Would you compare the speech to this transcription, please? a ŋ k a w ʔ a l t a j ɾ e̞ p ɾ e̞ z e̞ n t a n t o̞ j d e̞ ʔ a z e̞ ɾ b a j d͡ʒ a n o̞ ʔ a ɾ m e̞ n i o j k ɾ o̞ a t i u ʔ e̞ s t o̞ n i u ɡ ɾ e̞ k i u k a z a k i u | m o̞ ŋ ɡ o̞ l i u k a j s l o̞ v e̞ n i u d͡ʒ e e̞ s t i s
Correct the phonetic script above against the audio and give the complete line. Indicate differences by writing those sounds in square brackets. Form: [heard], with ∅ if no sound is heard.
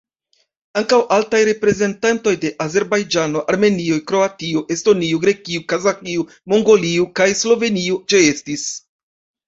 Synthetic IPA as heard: a ŋ k a w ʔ a l t a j ɾ e̞ p ɾ e̞ z e̞ n t a n t o̞ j d e̞ ʔ a z e̞ ɾ b a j d͡ʒ a n o̞ ʔ a ɾ m e̞ n i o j k ɾ o̞ a t i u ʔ e̞ s t o̞ n i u ɡ ɾ e̞ k i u k a z a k i u | m o̞ ŋ ɡ o̞ l i u k a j s l o̞ v e̞ n i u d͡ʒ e e̞ s t i s